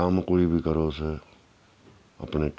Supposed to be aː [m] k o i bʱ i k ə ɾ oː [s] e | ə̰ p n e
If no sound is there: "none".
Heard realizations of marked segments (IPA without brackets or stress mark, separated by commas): m, s